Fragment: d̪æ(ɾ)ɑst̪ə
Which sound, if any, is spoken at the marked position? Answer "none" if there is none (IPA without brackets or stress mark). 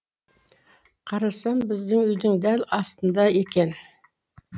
l